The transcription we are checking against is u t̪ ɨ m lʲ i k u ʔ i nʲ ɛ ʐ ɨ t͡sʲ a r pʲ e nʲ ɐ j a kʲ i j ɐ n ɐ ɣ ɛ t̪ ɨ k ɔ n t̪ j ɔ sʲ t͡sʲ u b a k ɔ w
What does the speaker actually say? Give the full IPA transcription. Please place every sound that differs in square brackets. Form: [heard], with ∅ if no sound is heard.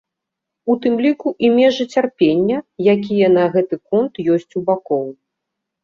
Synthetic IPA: u t̪ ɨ m lʲ i k u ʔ i [mʲ] ɛ ʐ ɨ t͡sʲ a r pʲ e [nʲː] ɐ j a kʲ i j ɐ n ɐ ɣ ɛ t̪ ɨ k ɔ n t̪ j ɔ sʲ t͡sʲ u b a k ɔ w